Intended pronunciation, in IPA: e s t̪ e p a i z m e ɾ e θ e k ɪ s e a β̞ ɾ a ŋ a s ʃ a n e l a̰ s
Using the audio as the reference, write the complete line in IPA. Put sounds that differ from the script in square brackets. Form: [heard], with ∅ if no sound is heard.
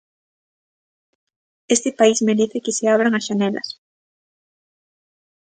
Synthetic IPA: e s t̪ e p a i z m e ɾ e θ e k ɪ s e a β̞ ɾ a ŋ a s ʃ a n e l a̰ s